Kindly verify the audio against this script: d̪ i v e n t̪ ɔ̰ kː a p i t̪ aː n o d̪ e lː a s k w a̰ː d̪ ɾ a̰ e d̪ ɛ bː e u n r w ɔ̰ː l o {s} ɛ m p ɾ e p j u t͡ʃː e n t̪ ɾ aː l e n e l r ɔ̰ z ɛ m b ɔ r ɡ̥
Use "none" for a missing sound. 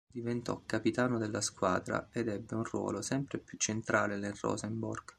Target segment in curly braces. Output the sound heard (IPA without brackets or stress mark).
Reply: s